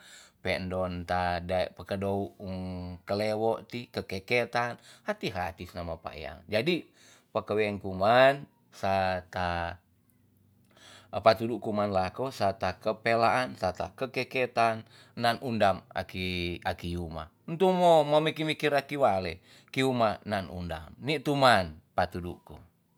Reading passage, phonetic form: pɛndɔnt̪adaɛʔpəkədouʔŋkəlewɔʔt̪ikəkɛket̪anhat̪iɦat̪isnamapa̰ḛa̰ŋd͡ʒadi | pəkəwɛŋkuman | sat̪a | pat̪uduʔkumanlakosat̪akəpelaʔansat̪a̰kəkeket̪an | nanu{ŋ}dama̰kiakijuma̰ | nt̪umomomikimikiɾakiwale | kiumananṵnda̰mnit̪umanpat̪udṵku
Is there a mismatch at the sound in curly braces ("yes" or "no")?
yes